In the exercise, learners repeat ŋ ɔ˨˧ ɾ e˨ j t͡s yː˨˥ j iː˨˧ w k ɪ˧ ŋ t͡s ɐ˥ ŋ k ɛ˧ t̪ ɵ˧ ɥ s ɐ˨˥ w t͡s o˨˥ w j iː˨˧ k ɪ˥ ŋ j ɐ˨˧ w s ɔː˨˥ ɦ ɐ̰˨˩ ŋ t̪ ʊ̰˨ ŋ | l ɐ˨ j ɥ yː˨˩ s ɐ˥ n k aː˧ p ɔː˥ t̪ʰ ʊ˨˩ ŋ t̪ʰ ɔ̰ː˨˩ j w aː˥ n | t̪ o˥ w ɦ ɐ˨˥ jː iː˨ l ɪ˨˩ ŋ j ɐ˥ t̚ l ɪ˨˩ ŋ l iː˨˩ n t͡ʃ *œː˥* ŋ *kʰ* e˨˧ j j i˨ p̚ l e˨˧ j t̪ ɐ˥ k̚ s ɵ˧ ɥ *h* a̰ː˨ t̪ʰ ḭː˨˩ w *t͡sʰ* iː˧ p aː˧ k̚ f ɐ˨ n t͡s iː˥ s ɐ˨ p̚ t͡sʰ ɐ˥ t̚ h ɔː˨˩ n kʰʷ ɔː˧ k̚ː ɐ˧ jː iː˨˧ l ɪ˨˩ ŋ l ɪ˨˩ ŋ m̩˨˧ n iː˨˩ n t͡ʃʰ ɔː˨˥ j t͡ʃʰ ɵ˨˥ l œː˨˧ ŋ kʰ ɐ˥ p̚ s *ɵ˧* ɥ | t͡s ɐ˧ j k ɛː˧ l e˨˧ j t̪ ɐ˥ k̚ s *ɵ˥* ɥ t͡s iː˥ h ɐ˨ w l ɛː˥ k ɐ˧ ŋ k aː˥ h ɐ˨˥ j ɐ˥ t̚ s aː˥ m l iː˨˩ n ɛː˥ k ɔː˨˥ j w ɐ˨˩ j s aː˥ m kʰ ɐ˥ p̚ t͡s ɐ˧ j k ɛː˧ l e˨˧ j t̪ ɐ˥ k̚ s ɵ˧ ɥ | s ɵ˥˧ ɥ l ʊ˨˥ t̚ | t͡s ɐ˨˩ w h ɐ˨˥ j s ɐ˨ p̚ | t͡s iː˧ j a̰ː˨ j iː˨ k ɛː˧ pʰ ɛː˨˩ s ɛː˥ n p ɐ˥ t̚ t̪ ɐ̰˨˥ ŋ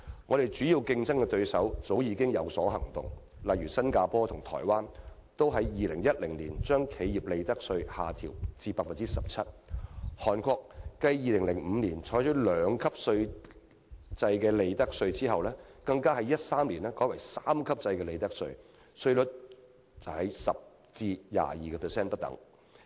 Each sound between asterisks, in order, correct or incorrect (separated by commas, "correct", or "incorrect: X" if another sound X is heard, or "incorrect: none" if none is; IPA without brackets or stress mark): correct, correct, correct, incorrect: t͡s, correct, incorrect: ɵ˧